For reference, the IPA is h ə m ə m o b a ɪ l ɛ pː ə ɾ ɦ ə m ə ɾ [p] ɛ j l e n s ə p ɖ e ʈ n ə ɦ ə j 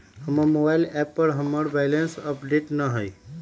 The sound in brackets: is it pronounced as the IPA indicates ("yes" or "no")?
no